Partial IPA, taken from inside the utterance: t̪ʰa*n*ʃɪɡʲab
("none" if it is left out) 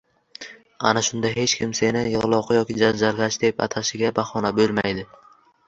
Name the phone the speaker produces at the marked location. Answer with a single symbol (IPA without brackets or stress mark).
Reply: none